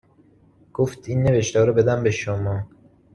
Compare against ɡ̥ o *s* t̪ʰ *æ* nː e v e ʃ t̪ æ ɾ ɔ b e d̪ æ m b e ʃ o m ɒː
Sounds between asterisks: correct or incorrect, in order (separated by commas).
incorrect, incorrect